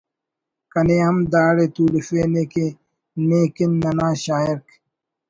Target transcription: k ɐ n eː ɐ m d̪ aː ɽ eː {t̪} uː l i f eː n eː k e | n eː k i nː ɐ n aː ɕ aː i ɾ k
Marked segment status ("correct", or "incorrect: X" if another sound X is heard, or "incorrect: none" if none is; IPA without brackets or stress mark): correct